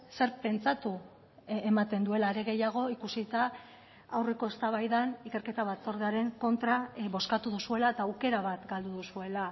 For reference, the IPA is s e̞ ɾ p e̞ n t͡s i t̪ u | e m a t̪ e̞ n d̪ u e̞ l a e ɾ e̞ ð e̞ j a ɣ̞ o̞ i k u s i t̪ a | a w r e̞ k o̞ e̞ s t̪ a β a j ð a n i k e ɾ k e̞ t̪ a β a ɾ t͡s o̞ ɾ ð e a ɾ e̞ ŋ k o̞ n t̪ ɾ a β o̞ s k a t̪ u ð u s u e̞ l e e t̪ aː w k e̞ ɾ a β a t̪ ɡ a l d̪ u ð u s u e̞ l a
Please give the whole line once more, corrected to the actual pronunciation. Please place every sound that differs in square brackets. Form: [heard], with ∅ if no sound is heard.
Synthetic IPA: s e̞ ɾ p e̞ n t͡s [a] t̪ u | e m a t̪ e̞ n d̪ u e̞ l a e ɾ e̞ [ɣ] e̞ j a ɣ̞ o̞ i k u s i t̪ a | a w r e̞ k o̞ e̞ s t̪ a β a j ð a n i k e ɾ k e̞ t̪ a β a [∅] t͡s o̞ ɾ ð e a ɾ e̞ ŋ k o̞ n t̪ ɾ a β o̞ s k a t̪ u ð u s u e̞ l [a] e t̪ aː w k e̞ ɾ a β a t̪ ɡ a l d̪ u ð u s u e̞ l a